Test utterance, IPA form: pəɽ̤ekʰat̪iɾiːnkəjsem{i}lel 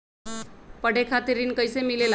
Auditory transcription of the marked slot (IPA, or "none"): i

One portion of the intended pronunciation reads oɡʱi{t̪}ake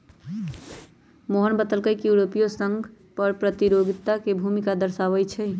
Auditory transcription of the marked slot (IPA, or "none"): t̪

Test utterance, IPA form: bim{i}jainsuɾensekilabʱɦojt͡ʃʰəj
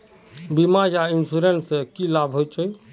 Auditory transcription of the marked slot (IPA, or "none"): a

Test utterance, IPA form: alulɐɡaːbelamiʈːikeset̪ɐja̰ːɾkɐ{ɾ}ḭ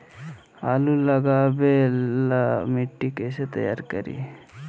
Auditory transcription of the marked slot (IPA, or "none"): ɾ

